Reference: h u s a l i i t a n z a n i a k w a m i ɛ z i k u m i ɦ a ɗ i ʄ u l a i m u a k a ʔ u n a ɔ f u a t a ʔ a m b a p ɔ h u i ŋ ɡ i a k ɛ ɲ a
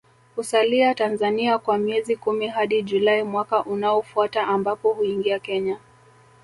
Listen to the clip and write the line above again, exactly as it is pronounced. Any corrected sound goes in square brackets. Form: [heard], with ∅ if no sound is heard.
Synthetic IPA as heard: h u s a l i [a] t a n z a n i a k w a m i ɛ z i k u m i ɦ a ɗ i ʄ u l a i m [w] a k a ʔ u n a ɔ f u a t a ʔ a m b a p ɔ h u i ŋ ɡ i a k ɛ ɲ a